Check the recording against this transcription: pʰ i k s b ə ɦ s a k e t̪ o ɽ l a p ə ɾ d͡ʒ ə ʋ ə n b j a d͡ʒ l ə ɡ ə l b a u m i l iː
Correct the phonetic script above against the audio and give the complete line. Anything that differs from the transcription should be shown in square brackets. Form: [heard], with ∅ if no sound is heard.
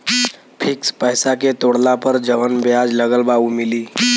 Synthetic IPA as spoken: pʰ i k s [p] ə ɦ s a k e t̪ o ɽ l a p ə ɾ d͡ʒ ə ʋ ə n b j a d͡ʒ l ə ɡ ə l b a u m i l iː